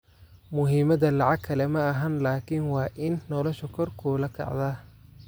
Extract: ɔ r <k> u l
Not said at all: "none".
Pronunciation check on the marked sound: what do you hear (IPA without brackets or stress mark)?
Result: kʰ